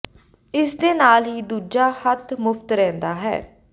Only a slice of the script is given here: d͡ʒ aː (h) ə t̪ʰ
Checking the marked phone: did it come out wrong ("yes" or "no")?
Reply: no